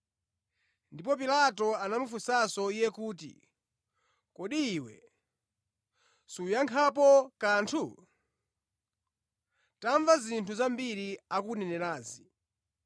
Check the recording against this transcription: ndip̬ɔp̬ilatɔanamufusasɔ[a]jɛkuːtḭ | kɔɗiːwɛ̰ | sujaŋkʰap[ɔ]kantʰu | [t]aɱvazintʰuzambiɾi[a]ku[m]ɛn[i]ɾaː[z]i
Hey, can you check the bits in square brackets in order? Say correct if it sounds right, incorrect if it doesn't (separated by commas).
incorrect, correct, correct, correct, incorrect, incorrect, correct